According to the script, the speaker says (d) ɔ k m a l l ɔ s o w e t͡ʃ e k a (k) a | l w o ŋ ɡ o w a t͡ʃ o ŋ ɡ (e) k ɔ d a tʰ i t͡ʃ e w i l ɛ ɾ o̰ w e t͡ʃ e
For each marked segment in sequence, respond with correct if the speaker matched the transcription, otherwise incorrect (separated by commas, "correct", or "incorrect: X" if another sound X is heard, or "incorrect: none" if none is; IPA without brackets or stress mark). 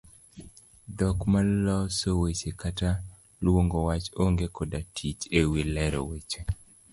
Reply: correct, incorrect: t, correct